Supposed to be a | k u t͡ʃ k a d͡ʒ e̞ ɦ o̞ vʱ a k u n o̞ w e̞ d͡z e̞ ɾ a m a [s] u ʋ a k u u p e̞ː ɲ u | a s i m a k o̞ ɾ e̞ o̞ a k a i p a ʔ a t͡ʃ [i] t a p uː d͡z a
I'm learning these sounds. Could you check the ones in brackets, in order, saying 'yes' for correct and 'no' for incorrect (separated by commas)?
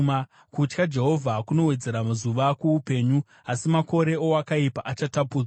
no, no